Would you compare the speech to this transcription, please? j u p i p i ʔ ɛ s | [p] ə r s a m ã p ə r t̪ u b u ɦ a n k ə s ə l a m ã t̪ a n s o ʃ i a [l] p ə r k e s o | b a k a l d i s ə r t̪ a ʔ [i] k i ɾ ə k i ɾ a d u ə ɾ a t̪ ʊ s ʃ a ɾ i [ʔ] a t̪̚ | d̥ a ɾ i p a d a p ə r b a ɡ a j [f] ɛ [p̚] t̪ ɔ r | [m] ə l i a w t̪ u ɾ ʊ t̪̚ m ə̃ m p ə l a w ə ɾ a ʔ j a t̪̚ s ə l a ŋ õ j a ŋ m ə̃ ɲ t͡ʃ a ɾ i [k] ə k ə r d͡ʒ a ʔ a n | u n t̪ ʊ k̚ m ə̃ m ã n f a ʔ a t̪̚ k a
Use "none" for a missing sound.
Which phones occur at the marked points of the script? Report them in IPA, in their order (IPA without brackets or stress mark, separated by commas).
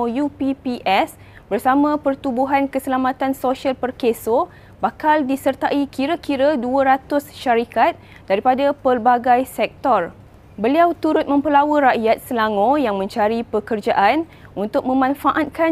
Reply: b, l, i, k, s, k̚, b, p